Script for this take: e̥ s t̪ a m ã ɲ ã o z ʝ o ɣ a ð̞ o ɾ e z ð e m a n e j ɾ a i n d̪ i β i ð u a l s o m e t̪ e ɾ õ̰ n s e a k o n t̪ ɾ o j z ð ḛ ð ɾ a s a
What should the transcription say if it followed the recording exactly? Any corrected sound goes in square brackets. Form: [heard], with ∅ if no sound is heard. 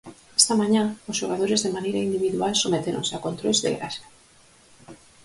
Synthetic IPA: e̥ s t̪ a m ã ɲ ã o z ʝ o ɣ a ð̞ o ɾ e z ð e m a n e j ɾ a i n d̪ i β i ð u a l s o m e t̪ e ɾ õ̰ n s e a k o n t̪ ɾ o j z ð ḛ [ɣ] ɾ a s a